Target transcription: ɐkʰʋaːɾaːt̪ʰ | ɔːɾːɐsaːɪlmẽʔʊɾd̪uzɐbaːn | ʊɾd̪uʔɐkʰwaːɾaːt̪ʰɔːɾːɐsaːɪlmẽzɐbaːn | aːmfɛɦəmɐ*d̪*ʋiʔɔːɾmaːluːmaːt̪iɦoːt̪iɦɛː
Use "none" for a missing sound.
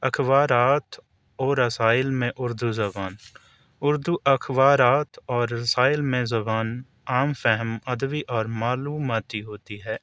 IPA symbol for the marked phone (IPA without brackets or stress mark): d̪